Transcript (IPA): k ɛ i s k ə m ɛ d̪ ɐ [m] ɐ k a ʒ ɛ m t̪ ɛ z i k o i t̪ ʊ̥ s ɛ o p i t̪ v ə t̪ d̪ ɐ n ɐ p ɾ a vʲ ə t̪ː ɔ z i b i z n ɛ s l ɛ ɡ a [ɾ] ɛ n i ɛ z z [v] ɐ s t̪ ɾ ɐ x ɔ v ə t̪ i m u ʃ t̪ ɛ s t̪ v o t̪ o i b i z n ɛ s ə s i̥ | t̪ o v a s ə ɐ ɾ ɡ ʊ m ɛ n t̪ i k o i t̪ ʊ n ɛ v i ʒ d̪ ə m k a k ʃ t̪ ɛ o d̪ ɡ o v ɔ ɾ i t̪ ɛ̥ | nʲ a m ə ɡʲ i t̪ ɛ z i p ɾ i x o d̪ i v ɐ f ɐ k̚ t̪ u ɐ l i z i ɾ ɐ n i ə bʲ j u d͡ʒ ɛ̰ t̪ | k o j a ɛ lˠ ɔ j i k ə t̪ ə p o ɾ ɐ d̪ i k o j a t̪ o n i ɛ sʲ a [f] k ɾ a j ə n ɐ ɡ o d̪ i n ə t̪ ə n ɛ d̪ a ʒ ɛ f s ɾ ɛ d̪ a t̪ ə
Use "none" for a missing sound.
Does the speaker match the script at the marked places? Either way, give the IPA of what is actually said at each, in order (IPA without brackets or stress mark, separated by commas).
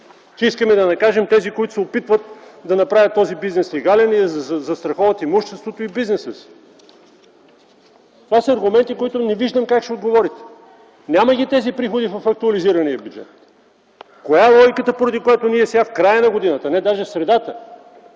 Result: n, l, z, f